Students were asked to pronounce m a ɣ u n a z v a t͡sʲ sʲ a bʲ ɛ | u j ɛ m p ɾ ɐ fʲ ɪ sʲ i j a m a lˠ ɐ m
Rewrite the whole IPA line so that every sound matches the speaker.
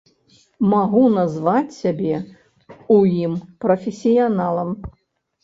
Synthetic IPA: m a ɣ u n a z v a t͡sʲ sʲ a bʲ ɛ | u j i m p ɾ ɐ fʲ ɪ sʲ i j a n a lˠ ɐ m